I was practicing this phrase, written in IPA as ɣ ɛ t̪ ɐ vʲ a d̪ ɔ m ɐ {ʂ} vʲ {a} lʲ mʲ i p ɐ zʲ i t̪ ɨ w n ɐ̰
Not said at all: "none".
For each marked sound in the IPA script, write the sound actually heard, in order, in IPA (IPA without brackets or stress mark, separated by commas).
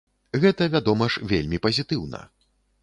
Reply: ʂ, e